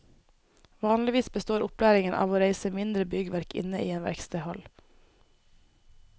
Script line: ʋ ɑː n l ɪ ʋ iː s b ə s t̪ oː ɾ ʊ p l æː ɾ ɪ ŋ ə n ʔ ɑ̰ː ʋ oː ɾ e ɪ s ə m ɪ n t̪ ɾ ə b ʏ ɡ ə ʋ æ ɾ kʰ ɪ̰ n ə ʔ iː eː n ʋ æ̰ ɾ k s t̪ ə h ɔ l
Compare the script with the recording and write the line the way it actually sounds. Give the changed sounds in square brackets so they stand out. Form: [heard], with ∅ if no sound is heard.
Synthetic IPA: ʋ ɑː n l ɪ ʋ iː s b ə s t̪ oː ɾ ʊ p l æː ɾ ɪ ŋ ə n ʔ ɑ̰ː ʋ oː ɾ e ɪ s ə m ɪ n [d̪] ɾ ə b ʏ ɡ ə ʋ æ ɾ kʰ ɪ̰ n ə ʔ iː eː n ʋ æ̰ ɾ k s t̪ ə h ɔ l

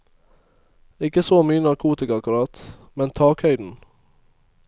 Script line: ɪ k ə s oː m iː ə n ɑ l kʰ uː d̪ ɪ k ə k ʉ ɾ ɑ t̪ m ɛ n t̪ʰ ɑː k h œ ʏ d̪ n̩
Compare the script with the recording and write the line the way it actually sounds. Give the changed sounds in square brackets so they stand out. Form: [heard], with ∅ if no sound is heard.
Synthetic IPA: ɪ k ə s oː m [yː] ə n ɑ [ɾ] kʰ uː [t̪] ɪ k [ɑ] k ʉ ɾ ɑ t̪ m ɛ n t̪ʰ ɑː k h œ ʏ d̪ n̩

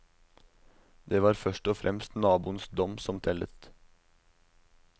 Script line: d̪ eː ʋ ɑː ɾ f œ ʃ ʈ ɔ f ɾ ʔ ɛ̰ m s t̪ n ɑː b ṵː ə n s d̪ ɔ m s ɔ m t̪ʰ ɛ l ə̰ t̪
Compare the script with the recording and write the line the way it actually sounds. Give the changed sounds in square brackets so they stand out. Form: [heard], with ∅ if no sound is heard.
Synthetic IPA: d̪ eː ʋ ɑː ɾ f œ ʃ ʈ ɔ f ɾ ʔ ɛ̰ m s t̪ n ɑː b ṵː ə n s d̪ ɔ m s ɔ m t̪ʰ ɛ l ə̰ t̪

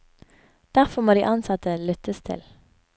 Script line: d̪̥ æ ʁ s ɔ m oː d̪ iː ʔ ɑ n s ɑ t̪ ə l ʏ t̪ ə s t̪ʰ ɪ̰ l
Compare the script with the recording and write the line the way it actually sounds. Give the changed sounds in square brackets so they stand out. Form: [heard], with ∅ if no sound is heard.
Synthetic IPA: d̪̥ æ ʁ [f] ɔ m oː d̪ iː ʔ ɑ n s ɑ t̪ ə l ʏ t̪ ə s t̪ʰ ɪ̰ l

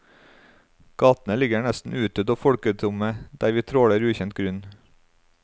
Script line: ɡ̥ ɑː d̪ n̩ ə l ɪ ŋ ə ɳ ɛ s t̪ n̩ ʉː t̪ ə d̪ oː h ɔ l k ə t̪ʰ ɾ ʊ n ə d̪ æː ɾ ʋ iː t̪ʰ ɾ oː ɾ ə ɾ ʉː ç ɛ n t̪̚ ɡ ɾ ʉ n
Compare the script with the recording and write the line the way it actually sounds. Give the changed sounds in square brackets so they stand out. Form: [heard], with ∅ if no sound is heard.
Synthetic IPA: ɡ̥ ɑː [t̪] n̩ ə l ɪ [ɡ] ə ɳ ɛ s t̪ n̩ ʉː t̪ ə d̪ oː [f] ɔ [ɽ] k ə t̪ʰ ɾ ʊ [m] ə d̪ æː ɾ ʋ iː t̪ʰ ɾ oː [ɽ] ə ɾ ʉː ç ɛ n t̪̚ ɡ ɾ ʉ n

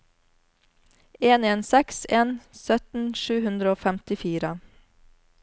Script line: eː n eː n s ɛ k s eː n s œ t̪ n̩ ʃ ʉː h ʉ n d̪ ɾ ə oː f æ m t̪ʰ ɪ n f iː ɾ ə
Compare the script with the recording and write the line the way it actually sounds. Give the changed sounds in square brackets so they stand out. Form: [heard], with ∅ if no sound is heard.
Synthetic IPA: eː n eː n s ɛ k s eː n s œ t̪ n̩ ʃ ʉː h ʉ n d̪ ɾ ə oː f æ m [t̪] ɪ [∅] f iː ɾ ə

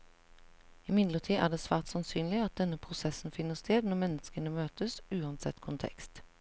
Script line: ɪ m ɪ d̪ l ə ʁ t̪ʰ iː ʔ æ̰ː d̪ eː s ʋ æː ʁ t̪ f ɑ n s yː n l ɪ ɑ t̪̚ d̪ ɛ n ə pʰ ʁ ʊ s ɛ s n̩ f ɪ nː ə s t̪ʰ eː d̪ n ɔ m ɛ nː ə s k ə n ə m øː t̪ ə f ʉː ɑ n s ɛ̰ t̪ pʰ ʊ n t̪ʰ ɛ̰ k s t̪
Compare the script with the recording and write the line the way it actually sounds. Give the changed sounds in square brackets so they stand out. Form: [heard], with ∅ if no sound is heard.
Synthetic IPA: ɪ m ɪ d̪ l ə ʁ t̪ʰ iː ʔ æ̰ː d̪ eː s ʋ æː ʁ t̪ [s] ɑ n s yː n l ɪ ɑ t̪̚ d̪ ɛ n ə pʰ ʁ ʊ s ɛ s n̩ f ɪ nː ə s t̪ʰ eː d̪ n ɔ m ɛ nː ə s k ə n ə m øː t̪ ə [s] ʉː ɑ n s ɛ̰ t̪ [kʰ] ʊ n t̪ʰ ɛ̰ k s t̪

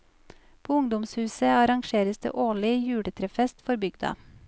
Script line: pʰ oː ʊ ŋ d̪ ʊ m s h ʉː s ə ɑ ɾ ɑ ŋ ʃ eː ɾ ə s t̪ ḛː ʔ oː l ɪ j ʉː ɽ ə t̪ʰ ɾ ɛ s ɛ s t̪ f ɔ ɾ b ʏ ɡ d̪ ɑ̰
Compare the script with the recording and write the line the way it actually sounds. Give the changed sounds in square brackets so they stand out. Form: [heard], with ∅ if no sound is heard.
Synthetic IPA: pʰ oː ʊ ŋ d̪ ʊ m s h ʉː s ə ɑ ɾ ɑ ŋ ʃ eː ɾ ə s [d̪] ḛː ʔ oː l ɪ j ʉː ɽ ə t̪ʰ ɾ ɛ [f] ɛ s t̪ f ɔ ɾ b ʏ ɡ d̪ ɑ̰

